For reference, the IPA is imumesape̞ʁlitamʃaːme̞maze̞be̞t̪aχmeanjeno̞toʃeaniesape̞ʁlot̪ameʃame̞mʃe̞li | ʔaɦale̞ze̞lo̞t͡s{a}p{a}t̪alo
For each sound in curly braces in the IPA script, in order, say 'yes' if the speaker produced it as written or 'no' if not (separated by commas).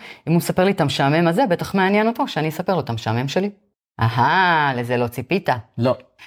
no, no